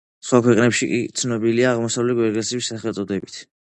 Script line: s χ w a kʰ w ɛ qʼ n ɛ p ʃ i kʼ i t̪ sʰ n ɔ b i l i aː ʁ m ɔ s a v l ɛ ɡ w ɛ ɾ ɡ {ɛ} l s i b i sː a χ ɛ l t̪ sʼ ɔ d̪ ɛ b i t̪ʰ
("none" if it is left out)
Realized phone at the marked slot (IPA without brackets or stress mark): ɛ